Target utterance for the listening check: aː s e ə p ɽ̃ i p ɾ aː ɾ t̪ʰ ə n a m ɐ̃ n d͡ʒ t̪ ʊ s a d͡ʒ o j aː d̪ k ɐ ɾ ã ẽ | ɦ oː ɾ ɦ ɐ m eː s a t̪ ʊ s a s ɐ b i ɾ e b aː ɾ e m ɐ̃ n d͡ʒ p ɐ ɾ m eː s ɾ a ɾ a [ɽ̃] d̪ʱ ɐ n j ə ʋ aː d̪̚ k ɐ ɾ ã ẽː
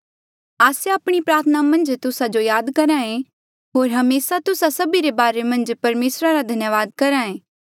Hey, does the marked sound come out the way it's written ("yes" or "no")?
no